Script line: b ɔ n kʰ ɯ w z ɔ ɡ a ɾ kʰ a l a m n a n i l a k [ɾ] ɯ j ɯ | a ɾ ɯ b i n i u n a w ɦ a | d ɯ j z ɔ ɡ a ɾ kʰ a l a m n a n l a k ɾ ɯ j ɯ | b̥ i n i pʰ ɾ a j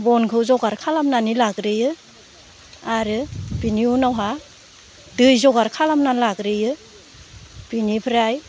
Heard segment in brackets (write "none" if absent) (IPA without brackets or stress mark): ɾ